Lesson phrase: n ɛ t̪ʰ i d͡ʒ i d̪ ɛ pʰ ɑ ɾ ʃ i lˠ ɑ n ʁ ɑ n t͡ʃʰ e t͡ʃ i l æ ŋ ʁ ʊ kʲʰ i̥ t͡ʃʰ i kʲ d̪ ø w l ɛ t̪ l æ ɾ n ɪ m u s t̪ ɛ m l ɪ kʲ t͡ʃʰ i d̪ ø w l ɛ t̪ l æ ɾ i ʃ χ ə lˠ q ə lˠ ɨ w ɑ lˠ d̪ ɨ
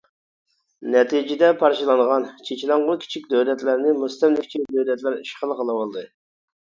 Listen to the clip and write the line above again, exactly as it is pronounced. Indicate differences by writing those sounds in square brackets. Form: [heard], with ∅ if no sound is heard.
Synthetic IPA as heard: n ɛ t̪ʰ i d͡ʒ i d̪ ɛ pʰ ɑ ɾ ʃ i lˠ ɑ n ʁ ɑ n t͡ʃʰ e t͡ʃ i l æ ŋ ʁ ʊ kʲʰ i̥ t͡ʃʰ i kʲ d̪ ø w l ɛ t̪ l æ ɾ n ɪ m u s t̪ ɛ m l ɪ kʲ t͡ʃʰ i d̪ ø w l ɛ t̪ l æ ɾ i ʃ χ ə lˠ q ə lˠ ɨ w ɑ lˠ d̪ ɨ